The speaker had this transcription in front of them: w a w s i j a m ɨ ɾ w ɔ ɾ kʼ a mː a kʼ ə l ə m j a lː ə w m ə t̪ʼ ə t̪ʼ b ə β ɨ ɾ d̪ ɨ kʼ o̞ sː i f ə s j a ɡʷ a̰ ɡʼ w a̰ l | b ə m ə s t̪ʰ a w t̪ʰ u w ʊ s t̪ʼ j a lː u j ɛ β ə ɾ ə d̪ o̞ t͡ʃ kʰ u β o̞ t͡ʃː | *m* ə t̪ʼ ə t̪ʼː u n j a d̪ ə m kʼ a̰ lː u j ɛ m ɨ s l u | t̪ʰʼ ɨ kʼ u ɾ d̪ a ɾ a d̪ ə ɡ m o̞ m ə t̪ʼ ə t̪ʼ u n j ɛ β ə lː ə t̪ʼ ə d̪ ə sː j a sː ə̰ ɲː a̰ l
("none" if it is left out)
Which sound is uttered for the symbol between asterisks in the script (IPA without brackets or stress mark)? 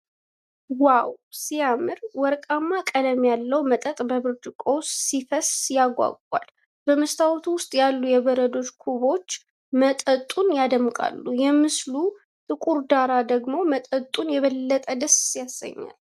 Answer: m